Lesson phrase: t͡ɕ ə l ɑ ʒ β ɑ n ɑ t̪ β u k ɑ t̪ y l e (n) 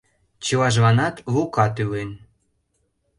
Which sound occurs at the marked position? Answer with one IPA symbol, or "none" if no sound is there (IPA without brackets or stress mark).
n